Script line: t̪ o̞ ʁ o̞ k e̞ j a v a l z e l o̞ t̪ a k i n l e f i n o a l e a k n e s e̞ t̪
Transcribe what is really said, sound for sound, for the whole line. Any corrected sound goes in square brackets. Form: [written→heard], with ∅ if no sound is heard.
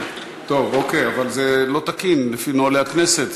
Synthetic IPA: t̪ o̞ [ʁ→v] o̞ k e̞ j a v a l z e l o̞ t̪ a k i n l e f i n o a l e a k n e s e̞ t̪

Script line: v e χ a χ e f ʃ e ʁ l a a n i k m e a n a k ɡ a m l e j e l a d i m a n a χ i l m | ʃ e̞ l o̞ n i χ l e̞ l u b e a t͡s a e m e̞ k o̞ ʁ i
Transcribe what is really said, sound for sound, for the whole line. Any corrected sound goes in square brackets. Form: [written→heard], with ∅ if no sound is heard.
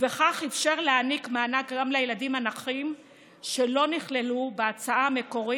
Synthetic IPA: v e χ a χ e f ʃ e ʁ l [a→e] a n i k m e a n a k ɡ a m l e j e l a d i m a n a χ i [l→∅] m | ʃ e̞ l o̞ n i χ l e̞ l u b e a t͡s a [e→a] m e̞ k o̞ ʁ i

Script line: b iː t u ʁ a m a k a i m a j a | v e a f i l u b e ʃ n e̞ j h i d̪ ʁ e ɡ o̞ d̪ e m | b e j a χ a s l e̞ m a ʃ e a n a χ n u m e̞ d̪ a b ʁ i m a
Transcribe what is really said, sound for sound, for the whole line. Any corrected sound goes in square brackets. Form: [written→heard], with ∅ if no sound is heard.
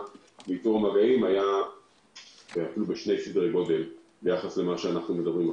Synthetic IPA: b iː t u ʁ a m a [k→ɡ] a i m a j a | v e a f i l u b e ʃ n e̞ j [h→s] i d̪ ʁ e ɡ o̞ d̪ e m | b e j a χ a s l e̞ m a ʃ e a n a χ n u m e̞ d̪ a b ʁ i m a

